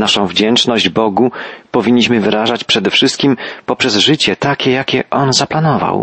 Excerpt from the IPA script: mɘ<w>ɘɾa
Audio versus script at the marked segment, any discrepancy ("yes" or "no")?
yes